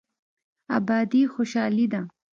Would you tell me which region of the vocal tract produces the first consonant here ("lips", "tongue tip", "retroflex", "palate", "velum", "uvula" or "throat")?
lips